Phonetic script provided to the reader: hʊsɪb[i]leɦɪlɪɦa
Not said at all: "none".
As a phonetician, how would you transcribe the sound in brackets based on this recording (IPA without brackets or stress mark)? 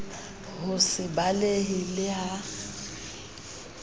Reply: a